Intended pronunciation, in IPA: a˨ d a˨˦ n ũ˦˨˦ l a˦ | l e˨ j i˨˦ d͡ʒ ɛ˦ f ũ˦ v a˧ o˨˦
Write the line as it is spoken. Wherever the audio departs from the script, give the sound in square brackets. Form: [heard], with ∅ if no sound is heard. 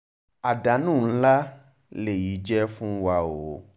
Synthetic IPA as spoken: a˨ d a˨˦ n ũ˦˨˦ l a˦ | l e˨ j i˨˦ d͡ʒ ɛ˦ f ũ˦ [w] a˧ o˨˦